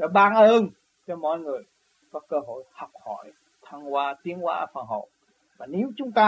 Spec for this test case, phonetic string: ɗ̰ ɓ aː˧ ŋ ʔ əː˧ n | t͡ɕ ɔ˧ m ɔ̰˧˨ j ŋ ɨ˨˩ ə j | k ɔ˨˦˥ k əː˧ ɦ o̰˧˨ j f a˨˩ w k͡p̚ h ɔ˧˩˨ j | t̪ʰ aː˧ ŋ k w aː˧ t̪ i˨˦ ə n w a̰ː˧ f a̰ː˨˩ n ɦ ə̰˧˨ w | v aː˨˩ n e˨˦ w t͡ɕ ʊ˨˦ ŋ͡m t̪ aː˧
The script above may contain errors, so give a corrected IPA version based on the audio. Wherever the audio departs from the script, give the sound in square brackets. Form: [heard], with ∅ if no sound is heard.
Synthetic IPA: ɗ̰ ɓ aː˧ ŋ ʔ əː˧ n | t͡ɕ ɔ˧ m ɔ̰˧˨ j ŋ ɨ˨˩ ə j | k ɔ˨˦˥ k əː˧ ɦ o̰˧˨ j [h] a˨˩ w k͡p̚ h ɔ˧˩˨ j | t̪ʰ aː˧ ŋ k w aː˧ t̪ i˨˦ ə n w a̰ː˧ f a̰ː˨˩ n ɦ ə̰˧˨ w | v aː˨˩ n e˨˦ w t͡ɕ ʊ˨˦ ŋ͡m t̪ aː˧